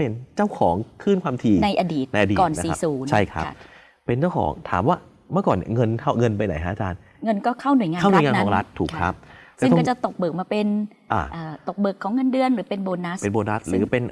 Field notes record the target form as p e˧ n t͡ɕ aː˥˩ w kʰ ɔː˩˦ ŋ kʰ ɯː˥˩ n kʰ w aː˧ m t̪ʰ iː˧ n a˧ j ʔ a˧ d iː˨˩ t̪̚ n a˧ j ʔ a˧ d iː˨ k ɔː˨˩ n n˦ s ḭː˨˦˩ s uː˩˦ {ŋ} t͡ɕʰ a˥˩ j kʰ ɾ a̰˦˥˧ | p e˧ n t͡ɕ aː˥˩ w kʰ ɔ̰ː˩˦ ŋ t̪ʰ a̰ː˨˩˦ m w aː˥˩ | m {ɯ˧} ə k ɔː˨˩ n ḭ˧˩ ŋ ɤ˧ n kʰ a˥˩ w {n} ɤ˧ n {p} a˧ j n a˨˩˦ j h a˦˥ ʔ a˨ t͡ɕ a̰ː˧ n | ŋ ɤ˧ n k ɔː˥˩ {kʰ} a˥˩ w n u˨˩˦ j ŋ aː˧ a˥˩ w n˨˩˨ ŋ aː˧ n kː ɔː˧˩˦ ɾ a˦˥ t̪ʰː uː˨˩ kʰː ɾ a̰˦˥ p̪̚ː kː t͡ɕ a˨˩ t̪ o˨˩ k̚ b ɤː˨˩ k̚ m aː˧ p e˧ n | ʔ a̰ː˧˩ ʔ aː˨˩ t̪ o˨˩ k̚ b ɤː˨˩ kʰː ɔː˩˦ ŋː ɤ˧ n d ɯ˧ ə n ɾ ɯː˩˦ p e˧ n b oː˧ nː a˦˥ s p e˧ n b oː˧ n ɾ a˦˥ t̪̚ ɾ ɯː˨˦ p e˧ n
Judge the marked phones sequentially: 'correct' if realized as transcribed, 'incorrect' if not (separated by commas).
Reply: incorrect, incorrect, incorrect, correct, correct